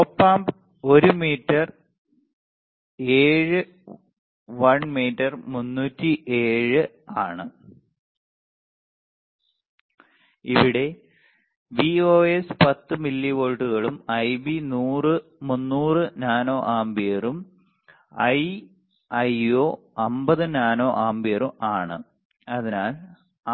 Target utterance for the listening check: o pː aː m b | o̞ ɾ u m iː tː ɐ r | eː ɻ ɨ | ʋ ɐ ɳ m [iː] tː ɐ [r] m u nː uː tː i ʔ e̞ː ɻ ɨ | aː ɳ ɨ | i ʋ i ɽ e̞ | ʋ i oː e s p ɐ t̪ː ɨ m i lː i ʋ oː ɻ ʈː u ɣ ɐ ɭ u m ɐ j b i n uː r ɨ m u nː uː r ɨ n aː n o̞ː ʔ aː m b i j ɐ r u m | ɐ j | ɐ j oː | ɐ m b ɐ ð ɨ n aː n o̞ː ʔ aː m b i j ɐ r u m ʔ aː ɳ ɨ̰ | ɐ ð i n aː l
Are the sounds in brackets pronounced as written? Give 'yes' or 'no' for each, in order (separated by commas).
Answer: yes, yes